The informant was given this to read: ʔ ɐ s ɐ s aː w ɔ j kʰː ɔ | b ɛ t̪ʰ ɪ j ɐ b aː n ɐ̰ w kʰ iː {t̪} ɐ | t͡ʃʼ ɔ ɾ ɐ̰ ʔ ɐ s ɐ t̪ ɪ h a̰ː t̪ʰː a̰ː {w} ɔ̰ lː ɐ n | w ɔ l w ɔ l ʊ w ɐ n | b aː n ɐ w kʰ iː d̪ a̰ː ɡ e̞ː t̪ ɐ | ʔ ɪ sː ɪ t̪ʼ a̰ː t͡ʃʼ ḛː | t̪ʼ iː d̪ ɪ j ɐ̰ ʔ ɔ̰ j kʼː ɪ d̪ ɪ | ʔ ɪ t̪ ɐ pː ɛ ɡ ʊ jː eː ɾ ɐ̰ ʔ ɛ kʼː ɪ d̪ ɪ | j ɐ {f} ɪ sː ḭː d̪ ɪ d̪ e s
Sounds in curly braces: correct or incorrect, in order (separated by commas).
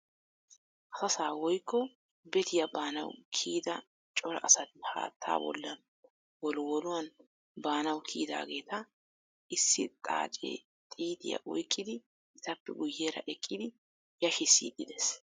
incorrect, incorrect, incorrect